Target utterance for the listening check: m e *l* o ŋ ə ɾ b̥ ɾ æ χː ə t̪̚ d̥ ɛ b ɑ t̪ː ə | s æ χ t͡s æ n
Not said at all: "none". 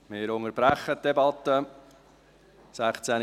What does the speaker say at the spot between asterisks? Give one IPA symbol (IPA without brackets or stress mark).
ɾ